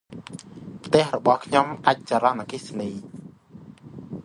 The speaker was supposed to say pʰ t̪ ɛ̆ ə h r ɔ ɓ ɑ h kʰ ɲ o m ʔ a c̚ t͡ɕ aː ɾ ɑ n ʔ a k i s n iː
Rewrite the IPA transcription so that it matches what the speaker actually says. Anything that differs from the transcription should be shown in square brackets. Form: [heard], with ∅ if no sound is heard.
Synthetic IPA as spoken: pʰ t̪ ɛ̆ ə h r ɔ ɓ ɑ h kʰ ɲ o m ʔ a c̚ t͡ɕ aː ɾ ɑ n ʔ a k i s n iː